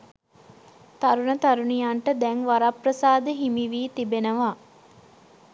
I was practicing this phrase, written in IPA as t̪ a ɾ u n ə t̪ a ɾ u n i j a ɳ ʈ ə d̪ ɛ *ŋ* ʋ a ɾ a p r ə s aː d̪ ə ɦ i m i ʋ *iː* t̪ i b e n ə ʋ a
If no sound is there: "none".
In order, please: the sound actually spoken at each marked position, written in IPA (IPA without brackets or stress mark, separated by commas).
ŋ, iː